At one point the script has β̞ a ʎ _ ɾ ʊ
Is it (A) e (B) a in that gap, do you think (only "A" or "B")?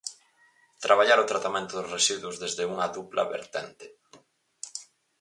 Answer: B